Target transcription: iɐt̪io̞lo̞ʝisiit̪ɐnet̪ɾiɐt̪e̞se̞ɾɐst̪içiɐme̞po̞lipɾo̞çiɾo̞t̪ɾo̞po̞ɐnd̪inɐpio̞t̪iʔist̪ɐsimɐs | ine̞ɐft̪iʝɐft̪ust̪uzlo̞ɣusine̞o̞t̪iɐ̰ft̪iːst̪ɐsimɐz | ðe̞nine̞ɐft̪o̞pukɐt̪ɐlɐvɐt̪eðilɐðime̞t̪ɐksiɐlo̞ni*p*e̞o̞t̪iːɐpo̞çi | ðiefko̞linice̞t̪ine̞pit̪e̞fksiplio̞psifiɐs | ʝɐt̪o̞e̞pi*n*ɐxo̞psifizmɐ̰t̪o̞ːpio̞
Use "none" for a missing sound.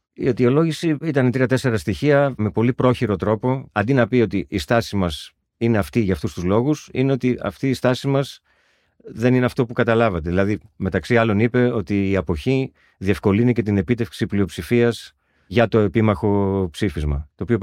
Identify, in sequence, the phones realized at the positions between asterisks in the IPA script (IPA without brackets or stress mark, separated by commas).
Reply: p, m